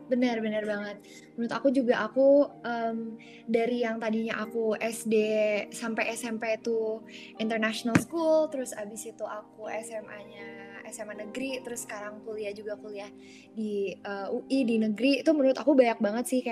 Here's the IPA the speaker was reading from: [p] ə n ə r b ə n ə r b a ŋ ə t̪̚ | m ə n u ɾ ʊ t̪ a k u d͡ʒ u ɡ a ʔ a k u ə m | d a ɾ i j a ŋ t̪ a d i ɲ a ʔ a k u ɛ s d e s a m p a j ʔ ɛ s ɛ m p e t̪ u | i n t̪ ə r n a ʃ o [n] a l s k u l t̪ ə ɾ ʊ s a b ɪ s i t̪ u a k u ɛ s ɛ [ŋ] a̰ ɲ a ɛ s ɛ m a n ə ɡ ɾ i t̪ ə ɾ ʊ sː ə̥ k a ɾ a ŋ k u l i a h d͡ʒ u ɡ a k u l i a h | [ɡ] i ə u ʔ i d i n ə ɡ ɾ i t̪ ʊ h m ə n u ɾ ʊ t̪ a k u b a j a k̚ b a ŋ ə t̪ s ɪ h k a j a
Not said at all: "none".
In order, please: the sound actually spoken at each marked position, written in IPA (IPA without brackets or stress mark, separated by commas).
b, n, m, d